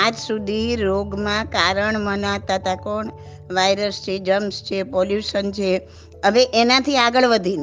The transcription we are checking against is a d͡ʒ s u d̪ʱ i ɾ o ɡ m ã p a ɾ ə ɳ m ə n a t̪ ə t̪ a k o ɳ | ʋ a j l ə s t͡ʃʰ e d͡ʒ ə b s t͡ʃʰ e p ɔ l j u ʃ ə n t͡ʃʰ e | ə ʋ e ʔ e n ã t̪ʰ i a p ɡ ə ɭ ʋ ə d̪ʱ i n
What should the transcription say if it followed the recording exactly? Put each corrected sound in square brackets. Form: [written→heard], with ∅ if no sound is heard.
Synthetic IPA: a d͡ʒ s u d̪ʱ i ɾ o ɡ m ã [p→k] a ɾ ə ɳ m ə n a t̪ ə t̪ a k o ɳ | ʋ a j [l→ɾ] ə s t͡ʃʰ e d͡ʒ ə [b→m] s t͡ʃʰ e p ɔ l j u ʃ ə n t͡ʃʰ e | ə ʋ e ʔ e n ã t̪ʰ i a [p→∅] ɡ ə ɭ ʋ ə d̪ʱ i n